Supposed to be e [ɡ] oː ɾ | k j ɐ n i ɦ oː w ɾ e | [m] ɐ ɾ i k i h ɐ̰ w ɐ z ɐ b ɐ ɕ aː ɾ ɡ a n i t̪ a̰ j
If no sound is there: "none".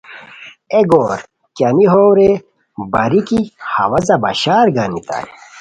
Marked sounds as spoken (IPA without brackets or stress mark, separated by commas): ɡ, b